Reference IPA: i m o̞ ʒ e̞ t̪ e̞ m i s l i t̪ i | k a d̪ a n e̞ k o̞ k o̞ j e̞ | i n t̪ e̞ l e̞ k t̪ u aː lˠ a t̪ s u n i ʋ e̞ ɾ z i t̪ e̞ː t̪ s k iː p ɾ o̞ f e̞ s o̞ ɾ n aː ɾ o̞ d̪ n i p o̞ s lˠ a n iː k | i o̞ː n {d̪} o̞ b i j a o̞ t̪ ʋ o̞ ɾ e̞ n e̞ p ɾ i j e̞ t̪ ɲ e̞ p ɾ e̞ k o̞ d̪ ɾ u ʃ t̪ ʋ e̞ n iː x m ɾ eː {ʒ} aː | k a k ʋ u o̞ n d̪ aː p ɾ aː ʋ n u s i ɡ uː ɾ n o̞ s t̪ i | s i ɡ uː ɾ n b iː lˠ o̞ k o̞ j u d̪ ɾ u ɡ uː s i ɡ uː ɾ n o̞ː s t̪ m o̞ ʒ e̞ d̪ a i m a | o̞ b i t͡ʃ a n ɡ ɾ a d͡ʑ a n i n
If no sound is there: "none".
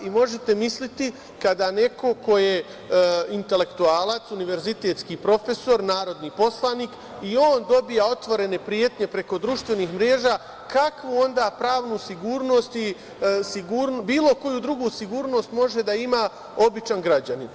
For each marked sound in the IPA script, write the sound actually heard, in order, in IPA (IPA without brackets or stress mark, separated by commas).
d̪, ʒ